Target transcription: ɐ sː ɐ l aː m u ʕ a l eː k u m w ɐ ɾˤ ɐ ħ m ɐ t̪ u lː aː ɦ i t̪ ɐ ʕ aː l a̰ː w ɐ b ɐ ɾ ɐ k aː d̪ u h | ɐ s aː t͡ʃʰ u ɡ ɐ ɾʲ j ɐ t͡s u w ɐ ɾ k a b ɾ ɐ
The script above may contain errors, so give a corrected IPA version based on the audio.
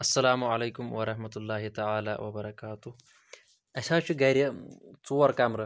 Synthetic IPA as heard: ɐ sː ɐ l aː m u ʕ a l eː k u m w ɐ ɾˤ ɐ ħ m ɐ t̪ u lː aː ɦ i t̪ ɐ ʕ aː l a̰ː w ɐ b ɐ ɾ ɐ k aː t̪ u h | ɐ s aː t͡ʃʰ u ɡ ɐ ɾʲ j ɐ t͡s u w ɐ ɾ k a m ɾ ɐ